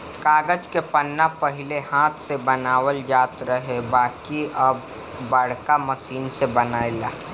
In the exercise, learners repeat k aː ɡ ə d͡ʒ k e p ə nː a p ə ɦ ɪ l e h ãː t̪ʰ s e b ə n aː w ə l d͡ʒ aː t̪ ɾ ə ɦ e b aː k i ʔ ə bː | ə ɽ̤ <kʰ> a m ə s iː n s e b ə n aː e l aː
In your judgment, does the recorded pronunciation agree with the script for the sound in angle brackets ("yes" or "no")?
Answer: no